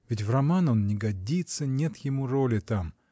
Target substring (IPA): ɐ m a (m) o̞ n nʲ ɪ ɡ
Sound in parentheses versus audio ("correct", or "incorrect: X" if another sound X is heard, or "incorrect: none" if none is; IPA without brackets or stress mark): incorrect: n